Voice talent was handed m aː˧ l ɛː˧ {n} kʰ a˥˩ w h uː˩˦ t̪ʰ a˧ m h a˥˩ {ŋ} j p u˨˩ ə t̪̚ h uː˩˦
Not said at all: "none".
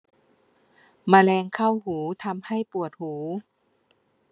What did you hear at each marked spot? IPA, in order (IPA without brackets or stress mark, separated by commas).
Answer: ŋ, none